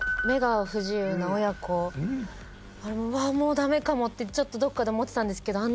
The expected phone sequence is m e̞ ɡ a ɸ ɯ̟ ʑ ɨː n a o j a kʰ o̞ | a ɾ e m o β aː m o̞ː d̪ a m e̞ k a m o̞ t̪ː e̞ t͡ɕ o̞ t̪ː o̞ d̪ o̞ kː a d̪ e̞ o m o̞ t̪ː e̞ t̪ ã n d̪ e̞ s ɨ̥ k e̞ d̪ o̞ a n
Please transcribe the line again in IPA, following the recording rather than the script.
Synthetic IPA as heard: m e̞ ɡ a ɸ ɯ̟ ʑ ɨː n a o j a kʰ o̞ | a ɾ e m o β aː m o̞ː d̪ a m e̞ k a m o̞ t̪ː e̞ t͡ɕ o̞ t̪ː o̞ d̪ o̞ kː a d̪ e̞ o m o̞ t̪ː e̞ t̪ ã n d̪ e̞ s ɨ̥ k e̞ d̪ o̞ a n